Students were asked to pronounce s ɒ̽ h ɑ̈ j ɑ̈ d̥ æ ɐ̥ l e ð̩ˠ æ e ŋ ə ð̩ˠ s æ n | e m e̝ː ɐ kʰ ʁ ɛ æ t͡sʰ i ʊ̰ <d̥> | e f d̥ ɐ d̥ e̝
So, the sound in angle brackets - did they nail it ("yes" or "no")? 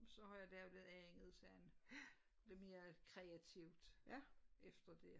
yes